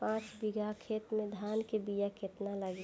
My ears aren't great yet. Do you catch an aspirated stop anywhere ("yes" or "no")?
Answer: yes